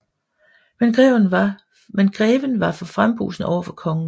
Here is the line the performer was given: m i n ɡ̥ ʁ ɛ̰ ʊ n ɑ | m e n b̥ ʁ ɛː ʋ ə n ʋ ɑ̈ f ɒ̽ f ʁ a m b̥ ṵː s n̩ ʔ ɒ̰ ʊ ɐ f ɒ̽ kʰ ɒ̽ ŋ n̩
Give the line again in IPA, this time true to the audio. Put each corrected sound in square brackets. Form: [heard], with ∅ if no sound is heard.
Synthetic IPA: m [e] n ɡ̥ ʁ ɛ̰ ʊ n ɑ | m e n [ɡ̥] ʁ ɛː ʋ ə n ʋ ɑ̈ f ɒ̽ f ʁ a m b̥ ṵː s n̩ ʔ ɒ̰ ʊ ɐ f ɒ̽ kʰ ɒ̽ ŋ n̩

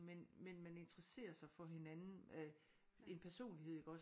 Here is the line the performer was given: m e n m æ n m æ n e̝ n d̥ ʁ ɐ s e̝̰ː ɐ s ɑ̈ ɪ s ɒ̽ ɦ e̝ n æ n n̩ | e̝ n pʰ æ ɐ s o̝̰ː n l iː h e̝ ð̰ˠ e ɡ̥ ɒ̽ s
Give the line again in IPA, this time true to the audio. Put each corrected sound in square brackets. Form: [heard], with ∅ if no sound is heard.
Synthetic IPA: m e n m [e] n m æ n e̝ n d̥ ʁ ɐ s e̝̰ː ɐ s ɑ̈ ɪ [f] ɒ̽ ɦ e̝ n æ n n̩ | e̝ n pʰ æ ɐ s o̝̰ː n l [i] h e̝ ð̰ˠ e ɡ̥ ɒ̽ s

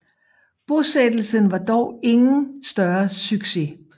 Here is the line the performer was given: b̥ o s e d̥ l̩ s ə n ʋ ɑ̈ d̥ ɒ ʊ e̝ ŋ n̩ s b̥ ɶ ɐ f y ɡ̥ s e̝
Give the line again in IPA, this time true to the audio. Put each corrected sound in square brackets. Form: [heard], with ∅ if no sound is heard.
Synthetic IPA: b̥ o s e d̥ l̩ s ə n ʋ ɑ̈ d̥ ɒ ʊ e̝ ŋ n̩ s [d̥] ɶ ɐ [s] y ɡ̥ s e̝

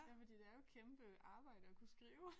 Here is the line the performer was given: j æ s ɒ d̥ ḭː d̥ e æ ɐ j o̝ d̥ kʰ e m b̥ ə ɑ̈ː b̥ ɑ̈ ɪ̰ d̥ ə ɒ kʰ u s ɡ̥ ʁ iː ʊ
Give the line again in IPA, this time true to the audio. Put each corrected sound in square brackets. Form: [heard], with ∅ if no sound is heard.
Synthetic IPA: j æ [f] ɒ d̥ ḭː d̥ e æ ɐ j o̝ [∅] kʰ e m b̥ ə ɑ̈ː b̥ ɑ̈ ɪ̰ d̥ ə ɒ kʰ u s ɡ̥ ʁ iː ʊ

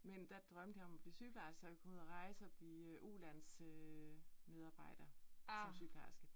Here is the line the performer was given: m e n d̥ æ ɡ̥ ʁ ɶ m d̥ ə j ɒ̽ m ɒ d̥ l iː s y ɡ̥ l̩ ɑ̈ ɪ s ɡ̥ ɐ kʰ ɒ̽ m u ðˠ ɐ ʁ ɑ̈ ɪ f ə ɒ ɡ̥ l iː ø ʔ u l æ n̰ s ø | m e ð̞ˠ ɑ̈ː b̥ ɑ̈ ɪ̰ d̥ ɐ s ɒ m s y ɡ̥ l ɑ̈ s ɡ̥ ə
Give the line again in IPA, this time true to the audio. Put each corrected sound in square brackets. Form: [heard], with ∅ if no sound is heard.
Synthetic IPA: m e n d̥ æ [d̥] ʁ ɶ m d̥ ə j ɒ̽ m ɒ [b̥] l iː s y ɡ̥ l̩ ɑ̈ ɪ s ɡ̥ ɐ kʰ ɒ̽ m u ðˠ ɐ ʁ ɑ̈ ɪ [s] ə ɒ [b̥] l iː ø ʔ u l æ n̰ s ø | m e ð̞ˠ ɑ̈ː b̥ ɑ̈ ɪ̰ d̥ ɐ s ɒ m s y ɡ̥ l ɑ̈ s ɡ̥ ə

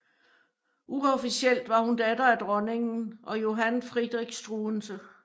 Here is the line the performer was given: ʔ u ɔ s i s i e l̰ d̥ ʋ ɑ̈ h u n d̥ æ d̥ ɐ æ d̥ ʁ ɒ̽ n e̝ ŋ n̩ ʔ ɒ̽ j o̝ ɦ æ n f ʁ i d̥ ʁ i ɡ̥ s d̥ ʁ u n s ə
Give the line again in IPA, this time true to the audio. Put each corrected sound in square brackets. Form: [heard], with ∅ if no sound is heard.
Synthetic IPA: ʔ u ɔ [f] i s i e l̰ d̥ ʋ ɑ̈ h u n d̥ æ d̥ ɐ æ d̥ ʁ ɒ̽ n e̝ ŋ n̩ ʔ ɒ̽ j o̝ ɦ æ n f ʁ i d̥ ʁ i ɡ̥ s d̥ ʁ u n s ə

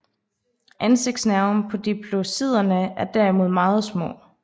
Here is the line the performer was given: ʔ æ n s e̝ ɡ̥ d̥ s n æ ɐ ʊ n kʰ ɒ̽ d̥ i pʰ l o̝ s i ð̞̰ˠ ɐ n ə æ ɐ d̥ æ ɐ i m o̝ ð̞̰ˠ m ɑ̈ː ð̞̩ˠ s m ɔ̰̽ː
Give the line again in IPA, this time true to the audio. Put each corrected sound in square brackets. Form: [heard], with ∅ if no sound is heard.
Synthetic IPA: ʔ æ n s e̝ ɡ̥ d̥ s n æ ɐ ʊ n [pʰ] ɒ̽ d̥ i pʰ l o̝ s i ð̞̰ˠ ɐ n ə æ ɐ d̥ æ ɐ i m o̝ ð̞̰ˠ m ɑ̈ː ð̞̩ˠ s m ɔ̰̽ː

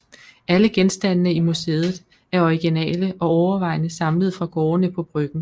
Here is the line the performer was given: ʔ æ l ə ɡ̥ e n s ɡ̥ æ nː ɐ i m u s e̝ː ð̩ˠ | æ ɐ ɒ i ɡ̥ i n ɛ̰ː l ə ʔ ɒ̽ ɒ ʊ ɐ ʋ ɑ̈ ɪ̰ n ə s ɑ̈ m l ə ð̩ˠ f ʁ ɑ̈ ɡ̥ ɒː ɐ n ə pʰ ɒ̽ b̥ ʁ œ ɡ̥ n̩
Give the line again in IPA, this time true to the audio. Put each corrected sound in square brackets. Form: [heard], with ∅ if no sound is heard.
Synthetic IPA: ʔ æ l ə ɡ̥ e n s [d̥] æ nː [ə] i m u s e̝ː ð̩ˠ | æ ɐ ɒ i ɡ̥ i n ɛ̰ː l ə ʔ ɒ̽ ɒ ʊ ɐ ʋ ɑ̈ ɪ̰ n ə s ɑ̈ m l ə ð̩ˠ f ʁ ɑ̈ ɡ̥ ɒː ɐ n ə pʰ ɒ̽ b̥ ʁ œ ɡ̥ n̩

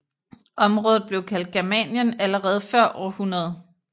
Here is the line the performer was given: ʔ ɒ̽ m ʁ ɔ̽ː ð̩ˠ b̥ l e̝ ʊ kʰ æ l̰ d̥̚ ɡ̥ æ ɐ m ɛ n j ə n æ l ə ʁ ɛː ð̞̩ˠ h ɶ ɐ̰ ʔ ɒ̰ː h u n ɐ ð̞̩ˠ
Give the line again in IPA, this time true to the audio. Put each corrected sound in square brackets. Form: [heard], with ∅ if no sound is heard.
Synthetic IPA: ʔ ɒ̽ m ʁ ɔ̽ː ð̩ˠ b̥ l e̝ ʊ kʰ æ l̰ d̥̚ ɡ̥ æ ɐ m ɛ n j ə n æ l ə ʁ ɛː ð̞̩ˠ [f] ɶ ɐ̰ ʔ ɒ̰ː h u n ɐ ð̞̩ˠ

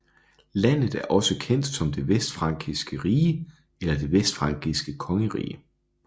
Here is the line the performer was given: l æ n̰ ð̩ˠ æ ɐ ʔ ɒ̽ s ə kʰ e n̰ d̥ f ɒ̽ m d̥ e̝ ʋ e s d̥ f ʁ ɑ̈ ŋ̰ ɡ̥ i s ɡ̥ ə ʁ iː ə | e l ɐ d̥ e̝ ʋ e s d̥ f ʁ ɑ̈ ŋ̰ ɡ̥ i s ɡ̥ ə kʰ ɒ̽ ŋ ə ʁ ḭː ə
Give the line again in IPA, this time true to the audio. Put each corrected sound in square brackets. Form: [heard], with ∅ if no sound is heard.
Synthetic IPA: l æ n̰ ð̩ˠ æ ɐ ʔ ɒ̽ s ə kʰ e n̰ d̥ [s] ɒ̽ m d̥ e̝ ʋ e s d̥ f ʁ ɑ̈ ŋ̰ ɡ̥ i s ɡ̥ ə ʁ iː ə | e l ɐ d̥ e̝ ʋ e s d̥ f ʁ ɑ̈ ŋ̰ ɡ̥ i s ɡ̥ ə kʰ ɒ̽ ŋ ə ʁ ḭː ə

